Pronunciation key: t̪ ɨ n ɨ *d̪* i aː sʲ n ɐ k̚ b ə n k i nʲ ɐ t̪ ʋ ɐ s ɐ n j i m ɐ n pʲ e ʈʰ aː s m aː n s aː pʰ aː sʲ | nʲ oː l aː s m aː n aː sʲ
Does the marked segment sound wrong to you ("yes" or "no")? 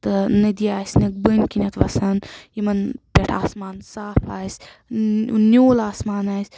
no